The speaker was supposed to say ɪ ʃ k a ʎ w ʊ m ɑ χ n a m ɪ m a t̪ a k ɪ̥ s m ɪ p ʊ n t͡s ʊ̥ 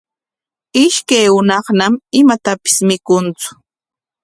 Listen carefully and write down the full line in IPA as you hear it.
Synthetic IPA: ɪ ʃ k a j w ʊ n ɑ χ n a m ɪ m a t̪ a p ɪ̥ s m ɪ k ʊ n t͡s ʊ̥